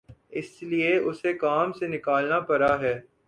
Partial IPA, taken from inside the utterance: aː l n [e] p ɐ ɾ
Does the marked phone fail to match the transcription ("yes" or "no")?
yes